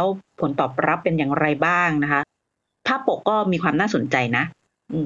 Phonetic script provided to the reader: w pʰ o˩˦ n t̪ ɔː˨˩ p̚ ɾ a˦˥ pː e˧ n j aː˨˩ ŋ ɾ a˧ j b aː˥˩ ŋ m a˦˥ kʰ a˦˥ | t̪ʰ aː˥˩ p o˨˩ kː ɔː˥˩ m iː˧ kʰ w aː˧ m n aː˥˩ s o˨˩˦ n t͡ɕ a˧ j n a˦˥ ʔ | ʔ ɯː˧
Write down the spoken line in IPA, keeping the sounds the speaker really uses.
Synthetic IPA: w pʰ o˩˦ n t̪ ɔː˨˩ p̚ ɾ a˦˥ pː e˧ n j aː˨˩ ŋ ɾ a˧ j b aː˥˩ ŋ n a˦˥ kʰ a˦˥ | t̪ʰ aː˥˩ p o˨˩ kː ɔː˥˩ m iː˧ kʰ w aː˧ m n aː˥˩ s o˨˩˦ n t͡ɕ a˧ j n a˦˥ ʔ | ʔ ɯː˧